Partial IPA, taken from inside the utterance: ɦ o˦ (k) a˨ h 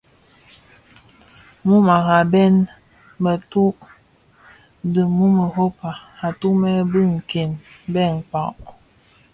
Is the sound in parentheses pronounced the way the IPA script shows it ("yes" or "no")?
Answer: no